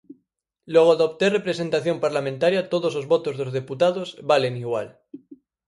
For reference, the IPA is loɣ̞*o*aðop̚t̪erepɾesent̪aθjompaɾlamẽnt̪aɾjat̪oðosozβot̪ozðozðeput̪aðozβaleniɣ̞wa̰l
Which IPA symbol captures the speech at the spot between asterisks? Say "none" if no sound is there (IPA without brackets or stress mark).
o